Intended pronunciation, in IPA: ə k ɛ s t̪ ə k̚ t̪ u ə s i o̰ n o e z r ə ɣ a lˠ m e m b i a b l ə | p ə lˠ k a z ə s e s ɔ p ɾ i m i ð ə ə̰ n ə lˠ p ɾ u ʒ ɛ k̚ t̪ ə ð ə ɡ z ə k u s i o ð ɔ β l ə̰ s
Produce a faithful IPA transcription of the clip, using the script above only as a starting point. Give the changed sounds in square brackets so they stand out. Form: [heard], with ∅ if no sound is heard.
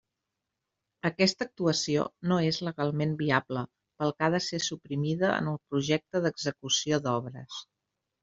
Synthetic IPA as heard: ə k ɛ s t̪ ə k̚ t̪ u ə s i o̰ n o e z [l] ə ɣ a lˠ m e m b i a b l ə | p ə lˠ k a [ð] ə s e s [u] p ɾ i m i ð ə ə̰ n ə lˠ p ɾ u ʒ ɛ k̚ t̪ ə ð ə ɡ z ə k u s i o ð ɔ β [ɾ] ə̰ s